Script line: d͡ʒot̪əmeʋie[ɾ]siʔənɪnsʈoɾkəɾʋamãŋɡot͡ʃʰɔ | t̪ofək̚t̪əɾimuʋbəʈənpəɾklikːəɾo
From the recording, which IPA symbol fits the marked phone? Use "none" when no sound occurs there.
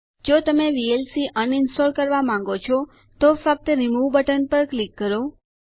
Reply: l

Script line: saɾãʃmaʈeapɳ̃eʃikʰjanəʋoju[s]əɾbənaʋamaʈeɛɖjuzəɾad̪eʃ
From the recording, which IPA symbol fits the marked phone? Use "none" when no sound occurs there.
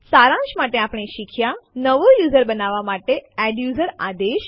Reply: z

